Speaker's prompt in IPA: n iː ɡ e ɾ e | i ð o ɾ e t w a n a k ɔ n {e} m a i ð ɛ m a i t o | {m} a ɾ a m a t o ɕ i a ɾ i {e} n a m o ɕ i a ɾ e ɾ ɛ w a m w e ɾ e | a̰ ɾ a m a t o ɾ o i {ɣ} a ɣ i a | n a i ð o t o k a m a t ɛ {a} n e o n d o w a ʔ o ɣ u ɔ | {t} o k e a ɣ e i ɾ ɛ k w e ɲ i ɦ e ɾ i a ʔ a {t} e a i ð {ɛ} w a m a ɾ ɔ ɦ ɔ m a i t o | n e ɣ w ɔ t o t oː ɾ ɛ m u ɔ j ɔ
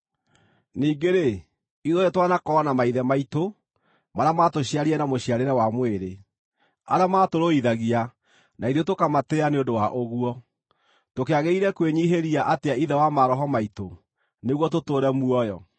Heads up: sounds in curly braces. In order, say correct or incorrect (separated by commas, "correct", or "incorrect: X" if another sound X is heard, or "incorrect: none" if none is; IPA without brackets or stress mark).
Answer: incorrect: a, correct, incorrect: ɛ, incorrect: ð, correct, correct, correct, correct